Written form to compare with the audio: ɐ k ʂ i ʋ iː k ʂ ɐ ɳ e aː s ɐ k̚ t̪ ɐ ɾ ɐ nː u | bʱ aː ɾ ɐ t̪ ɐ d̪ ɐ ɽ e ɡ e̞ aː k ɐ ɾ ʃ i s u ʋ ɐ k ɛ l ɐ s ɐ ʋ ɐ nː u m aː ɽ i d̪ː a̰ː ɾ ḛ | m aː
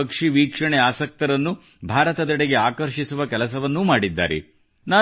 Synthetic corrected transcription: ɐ k ʂ i ʋ iː k ʂ ɐ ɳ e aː s ɐ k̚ t̪ ɐ ɾ ɐ nː u | bʱ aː ɾ ɐ t̪ ɐ d̪ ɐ ɽ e ɡ e̞ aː k ɐ ɾ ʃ i s u ʋ ɐ k ɛ l ɐ s ɐ ʋ ɐ nː u m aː ɽ i d̪ː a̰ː ɾ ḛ | n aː